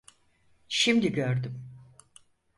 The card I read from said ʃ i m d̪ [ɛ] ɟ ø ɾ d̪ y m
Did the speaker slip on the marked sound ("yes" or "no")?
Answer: yes